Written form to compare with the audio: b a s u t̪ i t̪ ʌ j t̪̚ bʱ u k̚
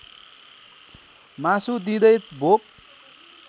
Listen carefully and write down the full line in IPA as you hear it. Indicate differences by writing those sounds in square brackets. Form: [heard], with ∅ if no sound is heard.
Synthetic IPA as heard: [m] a s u [d̪] i [d̪] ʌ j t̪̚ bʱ [o] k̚